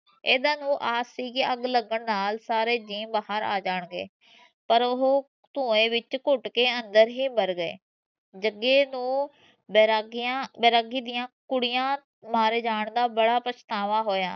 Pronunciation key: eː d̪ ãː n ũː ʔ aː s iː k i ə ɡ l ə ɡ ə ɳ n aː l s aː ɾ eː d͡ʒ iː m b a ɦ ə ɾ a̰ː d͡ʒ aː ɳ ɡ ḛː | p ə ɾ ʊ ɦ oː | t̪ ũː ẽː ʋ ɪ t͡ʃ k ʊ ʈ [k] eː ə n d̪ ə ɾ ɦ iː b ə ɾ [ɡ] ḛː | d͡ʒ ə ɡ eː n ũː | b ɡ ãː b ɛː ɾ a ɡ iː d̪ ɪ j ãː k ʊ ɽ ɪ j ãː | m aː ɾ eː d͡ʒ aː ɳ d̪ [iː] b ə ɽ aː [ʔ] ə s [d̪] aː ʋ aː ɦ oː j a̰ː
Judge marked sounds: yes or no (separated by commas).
yes, yes, no, no, no